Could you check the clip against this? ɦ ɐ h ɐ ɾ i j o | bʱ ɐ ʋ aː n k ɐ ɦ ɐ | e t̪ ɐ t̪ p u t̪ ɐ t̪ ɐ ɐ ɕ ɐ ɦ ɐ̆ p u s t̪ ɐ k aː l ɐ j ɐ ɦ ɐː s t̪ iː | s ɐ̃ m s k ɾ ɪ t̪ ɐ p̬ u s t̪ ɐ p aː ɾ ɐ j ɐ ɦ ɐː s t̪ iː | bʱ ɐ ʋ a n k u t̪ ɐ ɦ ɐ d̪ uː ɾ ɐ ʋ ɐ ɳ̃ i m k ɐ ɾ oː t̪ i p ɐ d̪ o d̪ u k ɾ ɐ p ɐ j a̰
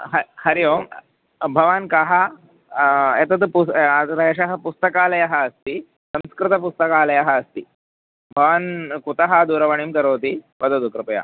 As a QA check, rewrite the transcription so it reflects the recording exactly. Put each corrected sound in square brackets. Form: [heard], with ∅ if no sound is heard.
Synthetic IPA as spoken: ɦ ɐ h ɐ ɾ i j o | bʱ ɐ ʋ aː n k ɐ ɦ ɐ | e t̪ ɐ t̪ p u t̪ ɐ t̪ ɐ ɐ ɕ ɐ ɦ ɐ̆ p u s t̪ ɐ k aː l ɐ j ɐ ɦ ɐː s t̪ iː | s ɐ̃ m s k ɾ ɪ t̪ ɐ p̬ u s t̪ ɐ [k] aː [l] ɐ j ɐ ɦ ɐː s t̪ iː | bʱ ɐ ʋ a n k u t̪ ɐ ɦ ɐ d̪ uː ɾ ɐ ʋ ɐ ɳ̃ i m k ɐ ɾ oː t̪ i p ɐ d̪ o d̪ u k ɾ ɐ p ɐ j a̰